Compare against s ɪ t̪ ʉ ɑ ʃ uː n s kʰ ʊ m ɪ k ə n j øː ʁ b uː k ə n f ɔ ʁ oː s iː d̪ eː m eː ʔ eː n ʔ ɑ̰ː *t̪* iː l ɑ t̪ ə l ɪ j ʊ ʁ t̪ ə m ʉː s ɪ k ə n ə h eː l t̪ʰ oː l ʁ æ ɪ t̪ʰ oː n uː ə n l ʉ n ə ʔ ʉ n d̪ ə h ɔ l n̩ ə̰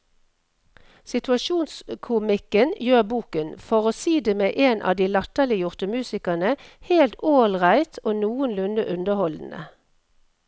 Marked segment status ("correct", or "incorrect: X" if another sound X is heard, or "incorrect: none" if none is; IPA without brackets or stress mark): incorrect: d̪